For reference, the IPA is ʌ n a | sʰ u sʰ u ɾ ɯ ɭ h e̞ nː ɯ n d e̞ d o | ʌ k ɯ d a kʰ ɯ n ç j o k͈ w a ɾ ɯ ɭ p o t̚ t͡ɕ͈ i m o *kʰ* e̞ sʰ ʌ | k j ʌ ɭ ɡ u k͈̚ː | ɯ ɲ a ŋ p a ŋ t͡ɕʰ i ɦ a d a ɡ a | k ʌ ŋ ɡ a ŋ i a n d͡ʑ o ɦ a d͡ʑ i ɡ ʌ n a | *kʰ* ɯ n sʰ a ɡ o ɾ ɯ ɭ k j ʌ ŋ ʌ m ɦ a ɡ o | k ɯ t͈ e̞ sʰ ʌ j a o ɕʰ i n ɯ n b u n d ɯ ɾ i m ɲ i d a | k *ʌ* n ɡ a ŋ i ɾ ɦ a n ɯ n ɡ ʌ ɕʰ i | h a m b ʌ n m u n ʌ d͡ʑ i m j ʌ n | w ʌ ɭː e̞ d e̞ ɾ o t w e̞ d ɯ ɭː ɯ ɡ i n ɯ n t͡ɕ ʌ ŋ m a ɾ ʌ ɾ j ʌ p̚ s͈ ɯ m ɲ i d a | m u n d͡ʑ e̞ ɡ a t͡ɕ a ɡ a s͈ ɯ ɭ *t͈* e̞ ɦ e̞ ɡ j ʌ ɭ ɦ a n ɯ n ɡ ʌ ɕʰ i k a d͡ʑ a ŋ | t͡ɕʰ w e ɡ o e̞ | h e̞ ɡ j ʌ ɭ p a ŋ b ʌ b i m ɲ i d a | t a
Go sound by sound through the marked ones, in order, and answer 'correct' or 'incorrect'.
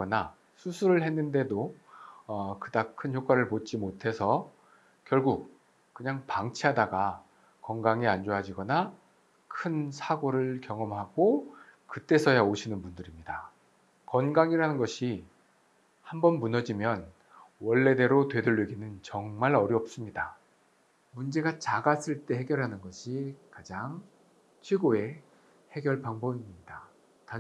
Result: incorrect, correct, correct, correct

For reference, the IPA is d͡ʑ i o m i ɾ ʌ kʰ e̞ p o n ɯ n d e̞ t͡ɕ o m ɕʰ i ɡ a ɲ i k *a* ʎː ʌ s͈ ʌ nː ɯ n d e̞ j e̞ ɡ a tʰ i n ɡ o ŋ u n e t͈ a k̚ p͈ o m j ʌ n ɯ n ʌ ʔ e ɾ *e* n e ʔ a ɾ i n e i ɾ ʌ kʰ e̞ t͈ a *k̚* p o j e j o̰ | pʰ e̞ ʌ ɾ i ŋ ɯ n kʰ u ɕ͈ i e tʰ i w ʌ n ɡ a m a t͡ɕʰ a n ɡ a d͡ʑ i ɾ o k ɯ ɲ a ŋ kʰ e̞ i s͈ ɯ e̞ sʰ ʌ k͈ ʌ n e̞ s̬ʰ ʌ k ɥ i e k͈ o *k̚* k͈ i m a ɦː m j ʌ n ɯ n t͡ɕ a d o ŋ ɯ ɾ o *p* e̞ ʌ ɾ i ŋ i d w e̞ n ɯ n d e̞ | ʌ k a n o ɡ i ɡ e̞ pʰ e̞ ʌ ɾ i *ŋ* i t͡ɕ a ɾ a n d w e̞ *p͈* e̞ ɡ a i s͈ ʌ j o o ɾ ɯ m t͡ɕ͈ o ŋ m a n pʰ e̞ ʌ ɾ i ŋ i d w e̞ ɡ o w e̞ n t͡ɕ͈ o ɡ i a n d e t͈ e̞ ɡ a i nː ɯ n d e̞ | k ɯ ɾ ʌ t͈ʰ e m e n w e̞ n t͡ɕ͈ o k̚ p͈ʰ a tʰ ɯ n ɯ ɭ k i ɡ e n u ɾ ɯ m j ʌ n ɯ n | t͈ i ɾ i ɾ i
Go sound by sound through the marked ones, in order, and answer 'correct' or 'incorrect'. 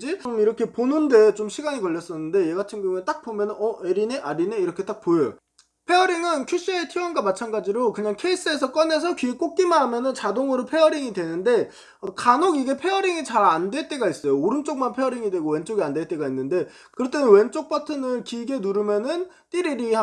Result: incorrect, incorrect, correct, correct, incorrect, correct, incorrect

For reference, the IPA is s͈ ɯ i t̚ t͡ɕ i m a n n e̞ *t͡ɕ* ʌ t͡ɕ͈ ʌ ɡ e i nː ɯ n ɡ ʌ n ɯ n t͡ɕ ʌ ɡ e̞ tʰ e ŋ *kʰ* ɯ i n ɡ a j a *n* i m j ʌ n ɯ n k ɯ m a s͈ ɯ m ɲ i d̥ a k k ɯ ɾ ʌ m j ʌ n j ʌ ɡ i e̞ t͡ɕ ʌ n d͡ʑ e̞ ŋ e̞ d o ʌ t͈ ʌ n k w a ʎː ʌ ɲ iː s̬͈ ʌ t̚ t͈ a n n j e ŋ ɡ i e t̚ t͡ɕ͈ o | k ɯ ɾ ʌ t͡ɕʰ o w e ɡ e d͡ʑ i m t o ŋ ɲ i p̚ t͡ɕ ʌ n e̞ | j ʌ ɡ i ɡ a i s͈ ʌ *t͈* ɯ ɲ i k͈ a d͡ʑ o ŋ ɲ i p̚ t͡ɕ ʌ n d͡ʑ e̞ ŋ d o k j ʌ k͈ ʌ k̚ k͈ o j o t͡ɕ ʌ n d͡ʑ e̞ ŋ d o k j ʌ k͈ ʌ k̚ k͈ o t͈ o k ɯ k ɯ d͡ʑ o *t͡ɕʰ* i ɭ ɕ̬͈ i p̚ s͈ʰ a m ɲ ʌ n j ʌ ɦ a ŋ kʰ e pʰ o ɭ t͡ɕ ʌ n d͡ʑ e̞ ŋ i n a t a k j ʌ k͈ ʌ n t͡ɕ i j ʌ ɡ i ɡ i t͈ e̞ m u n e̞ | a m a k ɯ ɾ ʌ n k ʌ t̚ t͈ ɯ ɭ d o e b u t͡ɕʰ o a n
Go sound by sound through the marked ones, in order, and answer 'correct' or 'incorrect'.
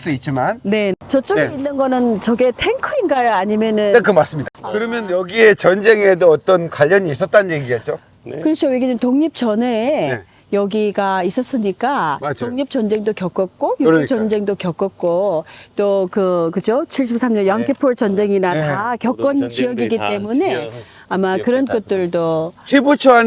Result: correct, correct, incorrect, incorrect, correct

